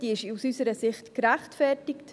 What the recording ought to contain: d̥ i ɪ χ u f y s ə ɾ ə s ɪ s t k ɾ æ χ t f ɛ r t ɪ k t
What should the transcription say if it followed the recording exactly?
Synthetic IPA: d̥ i ɪ ʃ u s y s ə ɾ ə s ɪ χ t k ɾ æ χ t f ɛ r t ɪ k t